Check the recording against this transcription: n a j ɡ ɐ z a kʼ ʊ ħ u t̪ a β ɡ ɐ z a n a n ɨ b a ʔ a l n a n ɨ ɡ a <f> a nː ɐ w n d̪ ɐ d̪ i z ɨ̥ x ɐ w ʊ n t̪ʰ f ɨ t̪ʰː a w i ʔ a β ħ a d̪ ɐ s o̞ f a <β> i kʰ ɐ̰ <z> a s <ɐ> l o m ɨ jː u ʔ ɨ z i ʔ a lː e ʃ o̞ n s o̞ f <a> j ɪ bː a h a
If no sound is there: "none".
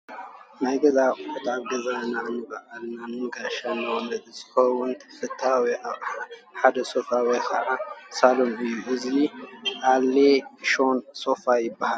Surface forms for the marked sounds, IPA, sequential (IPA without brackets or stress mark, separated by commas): ʃ, w, ʕ, a, a